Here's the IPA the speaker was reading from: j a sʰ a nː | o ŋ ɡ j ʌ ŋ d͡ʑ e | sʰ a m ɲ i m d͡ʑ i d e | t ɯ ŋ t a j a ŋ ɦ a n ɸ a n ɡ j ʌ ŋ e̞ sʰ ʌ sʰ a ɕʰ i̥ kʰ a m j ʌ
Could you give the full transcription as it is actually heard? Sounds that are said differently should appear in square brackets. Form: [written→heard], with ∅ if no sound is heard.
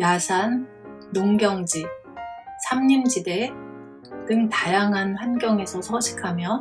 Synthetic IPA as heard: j a sʰ a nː | o ŋ ɡ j ʌ ŋ d͡ʑ [e→i] | sʰ a m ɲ i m d͡ʑ i d e | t ɯ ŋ t a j a ŋ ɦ a n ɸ a n ɡ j ʌ ŋ e̞ sʰ ʌ sʰ [a→ʌ] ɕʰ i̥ kʰ a m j ʌ